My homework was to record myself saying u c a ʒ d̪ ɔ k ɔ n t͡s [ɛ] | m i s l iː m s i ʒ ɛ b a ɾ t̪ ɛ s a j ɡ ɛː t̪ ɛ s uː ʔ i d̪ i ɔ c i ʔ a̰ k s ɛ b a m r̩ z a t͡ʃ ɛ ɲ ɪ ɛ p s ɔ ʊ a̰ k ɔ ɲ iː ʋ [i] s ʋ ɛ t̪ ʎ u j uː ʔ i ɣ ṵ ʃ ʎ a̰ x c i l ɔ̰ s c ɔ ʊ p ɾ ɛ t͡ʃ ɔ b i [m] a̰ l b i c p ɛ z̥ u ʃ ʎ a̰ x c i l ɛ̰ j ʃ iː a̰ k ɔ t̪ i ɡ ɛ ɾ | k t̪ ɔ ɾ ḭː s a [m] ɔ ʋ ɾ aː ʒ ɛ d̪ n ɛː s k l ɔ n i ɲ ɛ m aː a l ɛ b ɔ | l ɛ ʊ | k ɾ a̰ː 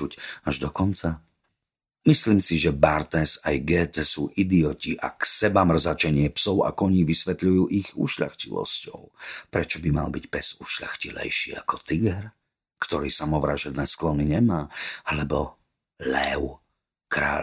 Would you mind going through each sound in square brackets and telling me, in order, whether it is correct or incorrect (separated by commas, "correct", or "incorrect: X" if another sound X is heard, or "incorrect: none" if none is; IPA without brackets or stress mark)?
incorrect: a, correct, correct, correct